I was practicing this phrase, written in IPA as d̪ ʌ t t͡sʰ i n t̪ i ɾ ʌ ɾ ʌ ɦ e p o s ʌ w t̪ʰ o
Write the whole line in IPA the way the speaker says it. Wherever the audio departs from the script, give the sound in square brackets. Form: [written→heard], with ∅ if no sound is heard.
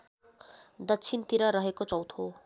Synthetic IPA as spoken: d̪ ʌ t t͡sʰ i n t̪ i ɾ ʌ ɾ ʌ ɦ e [p→k] o [s→t͡s] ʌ w t̪ʰ o